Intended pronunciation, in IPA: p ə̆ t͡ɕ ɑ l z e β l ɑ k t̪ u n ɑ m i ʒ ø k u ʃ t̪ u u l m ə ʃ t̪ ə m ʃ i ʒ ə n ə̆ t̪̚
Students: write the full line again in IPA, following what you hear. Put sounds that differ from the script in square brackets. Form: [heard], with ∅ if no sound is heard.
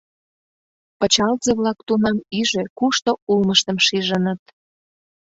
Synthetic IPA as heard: p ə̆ t͡ɕ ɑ l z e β l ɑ k t̪ u n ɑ m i ʒ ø k u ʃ t̪ [o] u l m ə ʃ t̪ ə m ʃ i ʒ ə n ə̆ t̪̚